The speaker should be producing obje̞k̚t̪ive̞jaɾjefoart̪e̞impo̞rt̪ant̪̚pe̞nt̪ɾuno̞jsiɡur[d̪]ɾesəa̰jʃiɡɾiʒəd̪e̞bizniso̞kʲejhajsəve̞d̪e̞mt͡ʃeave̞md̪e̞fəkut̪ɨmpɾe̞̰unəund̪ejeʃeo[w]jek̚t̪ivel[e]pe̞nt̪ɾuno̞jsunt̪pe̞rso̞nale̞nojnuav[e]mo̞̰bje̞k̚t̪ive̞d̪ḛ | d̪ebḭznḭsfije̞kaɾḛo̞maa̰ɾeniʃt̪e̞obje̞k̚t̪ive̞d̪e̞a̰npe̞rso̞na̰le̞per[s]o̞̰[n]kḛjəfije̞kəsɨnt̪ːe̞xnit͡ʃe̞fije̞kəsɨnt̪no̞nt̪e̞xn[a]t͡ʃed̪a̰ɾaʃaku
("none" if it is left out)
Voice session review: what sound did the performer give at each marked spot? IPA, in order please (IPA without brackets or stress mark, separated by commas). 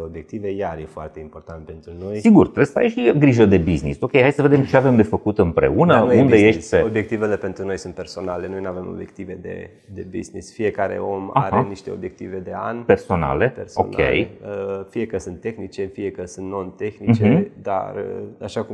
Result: t̪, b, e, e, s, n, i